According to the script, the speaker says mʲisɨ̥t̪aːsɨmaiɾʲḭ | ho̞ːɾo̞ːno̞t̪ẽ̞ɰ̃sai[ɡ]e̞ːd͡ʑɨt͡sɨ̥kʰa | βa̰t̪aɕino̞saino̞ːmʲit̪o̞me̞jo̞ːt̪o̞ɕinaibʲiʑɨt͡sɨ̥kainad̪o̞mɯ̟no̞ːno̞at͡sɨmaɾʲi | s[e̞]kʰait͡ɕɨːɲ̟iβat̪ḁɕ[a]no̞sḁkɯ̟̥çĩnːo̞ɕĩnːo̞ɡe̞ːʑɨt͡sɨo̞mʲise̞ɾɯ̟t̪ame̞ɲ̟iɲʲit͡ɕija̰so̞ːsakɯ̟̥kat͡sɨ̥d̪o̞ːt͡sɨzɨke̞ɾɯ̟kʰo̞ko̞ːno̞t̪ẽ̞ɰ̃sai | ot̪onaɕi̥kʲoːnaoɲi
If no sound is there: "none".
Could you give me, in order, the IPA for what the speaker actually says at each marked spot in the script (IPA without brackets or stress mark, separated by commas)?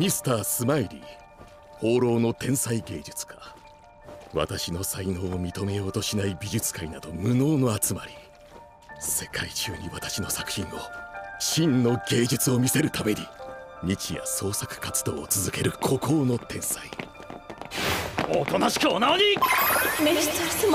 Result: ɡ, e̞, i